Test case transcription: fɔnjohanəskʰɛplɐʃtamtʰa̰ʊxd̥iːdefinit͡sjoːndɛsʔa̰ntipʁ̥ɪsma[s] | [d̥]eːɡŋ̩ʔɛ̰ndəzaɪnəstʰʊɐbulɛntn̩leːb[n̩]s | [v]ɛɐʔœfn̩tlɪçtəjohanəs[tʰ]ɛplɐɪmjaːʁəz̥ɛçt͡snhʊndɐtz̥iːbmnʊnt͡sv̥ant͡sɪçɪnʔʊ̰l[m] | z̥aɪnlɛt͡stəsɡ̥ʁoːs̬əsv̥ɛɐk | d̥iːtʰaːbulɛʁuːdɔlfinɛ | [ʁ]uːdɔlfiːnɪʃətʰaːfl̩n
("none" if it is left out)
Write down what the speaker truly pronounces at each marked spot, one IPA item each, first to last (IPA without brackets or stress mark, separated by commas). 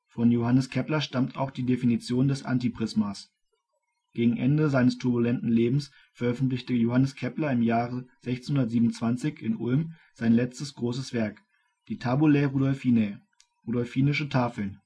s, ɡ̥, m̩, f, kʰ, m, ʁ